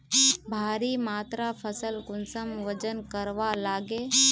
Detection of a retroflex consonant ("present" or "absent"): absent